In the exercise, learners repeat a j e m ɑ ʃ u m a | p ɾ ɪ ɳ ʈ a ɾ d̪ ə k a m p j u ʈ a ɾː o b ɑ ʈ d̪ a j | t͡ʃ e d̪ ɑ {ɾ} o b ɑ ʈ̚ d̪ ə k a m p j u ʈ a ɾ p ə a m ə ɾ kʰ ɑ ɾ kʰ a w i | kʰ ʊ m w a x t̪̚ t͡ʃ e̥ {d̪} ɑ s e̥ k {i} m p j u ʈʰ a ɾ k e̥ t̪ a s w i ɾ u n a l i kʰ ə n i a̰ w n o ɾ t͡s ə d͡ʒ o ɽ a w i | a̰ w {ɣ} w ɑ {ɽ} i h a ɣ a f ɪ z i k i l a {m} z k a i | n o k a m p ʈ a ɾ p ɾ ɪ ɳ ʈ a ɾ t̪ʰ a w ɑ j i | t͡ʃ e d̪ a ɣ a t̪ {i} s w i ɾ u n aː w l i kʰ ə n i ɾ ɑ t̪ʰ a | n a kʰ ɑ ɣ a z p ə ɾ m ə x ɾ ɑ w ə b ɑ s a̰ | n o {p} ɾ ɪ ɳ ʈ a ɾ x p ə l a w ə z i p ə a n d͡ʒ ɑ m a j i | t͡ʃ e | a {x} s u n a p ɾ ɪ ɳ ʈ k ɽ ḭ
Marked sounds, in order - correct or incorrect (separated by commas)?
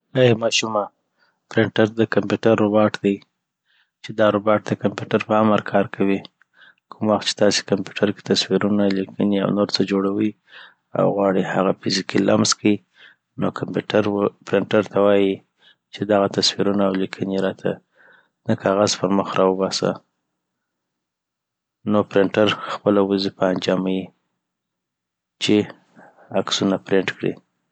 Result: correct, incorrect, incorrect, correct, correct, correct, incorrect, correct, incorrect